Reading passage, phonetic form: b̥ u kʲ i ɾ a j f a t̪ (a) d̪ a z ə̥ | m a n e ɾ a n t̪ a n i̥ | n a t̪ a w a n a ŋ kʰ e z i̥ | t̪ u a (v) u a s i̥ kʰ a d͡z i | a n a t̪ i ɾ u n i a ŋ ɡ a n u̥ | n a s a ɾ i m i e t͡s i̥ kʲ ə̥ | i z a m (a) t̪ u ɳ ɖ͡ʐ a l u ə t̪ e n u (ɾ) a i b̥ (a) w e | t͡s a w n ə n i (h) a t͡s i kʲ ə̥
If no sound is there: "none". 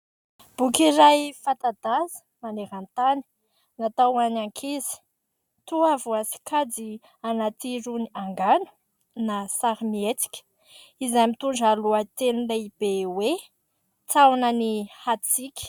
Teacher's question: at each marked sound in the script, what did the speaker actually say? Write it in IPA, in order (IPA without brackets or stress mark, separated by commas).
a, v, i, l, e, h